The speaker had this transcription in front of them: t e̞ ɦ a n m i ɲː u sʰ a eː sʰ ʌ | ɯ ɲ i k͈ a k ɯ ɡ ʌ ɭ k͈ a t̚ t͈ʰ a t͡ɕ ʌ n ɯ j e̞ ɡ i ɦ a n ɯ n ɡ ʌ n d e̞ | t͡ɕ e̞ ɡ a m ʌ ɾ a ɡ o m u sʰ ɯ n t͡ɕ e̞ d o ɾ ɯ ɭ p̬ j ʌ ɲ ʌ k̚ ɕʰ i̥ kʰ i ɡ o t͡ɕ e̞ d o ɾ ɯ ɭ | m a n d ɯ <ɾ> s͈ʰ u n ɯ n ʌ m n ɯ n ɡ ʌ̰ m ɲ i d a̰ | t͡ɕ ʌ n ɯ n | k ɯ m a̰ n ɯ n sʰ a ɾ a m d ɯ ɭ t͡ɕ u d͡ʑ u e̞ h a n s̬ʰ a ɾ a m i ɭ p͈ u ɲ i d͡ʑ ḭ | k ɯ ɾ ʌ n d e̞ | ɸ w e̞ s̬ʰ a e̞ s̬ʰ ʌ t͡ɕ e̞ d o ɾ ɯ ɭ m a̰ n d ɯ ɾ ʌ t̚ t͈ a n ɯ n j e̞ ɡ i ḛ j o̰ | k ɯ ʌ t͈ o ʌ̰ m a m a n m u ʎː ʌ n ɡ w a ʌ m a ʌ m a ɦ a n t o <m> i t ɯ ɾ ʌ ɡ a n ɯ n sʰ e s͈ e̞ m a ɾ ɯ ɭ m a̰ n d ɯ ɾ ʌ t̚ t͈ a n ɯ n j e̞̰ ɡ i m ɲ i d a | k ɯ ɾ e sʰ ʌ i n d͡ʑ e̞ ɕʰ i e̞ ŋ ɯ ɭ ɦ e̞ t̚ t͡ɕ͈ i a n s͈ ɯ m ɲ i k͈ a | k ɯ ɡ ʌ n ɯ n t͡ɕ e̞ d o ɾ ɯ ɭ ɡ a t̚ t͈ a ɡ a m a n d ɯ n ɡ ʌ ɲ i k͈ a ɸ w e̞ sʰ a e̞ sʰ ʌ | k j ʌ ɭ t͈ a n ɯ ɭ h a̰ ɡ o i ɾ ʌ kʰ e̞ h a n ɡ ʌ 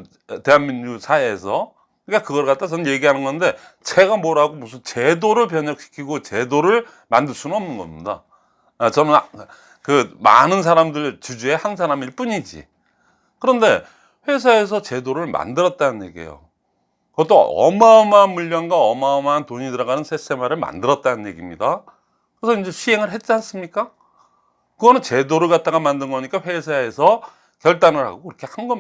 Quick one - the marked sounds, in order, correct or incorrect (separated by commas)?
incorrect, incorrect